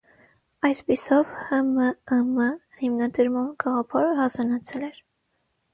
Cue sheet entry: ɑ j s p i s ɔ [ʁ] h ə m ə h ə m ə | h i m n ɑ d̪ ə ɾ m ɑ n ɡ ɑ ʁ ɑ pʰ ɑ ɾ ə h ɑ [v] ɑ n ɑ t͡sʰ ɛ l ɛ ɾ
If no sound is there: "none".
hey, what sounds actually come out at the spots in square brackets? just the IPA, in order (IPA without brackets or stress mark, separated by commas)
v, z